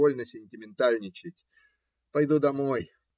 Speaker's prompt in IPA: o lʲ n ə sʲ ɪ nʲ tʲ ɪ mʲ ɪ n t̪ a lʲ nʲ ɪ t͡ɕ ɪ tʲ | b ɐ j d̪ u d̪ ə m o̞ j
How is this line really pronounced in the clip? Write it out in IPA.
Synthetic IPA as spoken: o lʲ n ə sʲ ɪ nʲ tʲ ɪ mʲ ɪ n t̪ a lʲ nʲ ɪ t͡ɕ ɪ tʲ | p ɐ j d̪ u d̪ ɐ m o̞ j